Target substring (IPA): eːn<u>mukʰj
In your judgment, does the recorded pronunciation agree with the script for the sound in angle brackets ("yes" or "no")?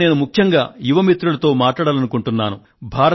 yes